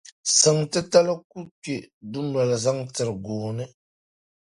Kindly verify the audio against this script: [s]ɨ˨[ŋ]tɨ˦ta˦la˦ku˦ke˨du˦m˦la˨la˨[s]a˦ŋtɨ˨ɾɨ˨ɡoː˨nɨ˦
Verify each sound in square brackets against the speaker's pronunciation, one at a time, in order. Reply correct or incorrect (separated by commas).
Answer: correct, correct, incorrect